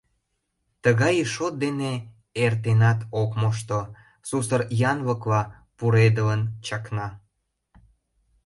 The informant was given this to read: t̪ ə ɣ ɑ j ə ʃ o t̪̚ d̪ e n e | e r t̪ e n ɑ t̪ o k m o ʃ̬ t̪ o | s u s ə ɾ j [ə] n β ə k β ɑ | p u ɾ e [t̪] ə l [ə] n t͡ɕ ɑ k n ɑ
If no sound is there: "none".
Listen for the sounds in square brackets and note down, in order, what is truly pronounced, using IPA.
ɑ, d̪, ə

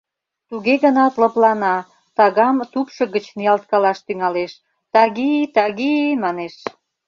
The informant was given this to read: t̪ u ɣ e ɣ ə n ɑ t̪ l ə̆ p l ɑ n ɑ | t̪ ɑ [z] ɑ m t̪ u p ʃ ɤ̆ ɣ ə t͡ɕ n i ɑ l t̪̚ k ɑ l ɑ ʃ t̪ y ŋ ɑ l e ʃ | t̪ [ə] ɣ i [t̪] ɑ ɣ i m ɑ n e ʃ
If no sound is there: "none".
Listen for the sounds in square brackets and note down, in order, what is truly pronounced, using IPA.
ɣ, ɑ, t̪

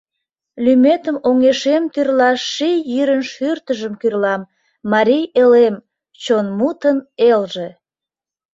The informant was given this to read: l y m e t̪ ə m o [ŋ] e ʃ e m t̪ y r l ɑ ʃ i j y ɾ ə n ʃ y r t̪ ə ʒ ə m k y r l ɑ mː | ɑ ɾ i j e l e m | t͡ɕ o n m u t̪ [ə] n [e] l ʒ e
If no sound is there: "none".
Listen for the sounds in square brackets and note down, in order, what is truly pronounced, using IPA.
ŋ, ə, e

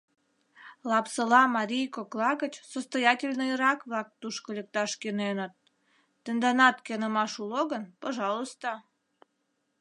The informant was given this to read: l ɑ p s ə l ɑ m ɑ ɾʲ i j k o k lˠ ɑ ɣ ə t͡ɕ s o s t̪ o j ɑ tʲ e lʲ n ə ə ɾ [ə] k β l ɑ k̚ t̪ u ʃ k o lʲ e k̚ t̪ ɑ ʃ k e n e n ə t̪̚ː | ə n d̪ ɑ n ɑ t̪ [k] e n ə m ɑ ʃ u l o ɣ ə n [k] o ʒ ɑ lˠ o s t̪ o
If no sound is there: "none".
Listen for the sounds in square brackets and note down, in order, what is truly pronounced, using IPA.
ɑ, k, p

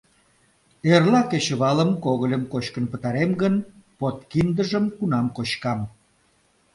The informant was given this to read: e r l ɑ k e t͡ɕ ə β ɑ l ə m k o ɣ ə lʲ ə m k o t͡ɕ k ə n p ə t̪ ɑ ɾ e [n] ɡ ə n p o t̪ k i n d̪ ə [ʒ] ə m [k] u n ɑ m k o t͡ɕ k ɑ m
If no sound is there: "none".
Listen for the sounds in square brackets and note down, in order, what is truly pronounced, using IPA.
m, ʒ, k

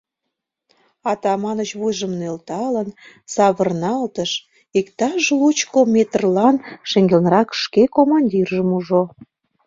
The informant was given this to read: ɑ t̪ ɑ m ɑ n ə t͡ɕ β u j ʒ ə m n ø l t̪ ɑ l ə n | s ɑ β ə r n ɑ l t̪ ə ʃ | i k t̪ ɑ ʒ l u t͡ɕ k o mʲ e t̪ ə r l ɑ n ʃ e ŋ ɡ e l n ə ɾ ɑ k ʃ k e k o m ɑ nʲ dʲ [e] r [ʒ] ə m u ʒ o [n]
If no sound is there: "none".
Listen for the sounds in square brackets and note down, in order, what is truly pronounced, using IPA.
i, ʒ, none

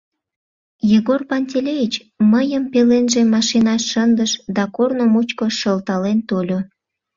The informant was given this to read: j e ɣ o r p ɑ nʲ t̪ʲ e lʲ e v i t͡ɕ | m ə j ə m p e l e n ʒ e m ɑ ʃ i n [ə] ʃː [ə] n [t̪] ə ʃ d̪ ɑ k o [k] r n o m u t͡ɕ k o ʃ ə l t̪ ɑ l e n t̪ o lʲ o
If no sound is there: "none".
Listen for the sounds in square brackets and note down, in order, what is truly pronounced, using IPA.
ɑ, ə, d̪, none

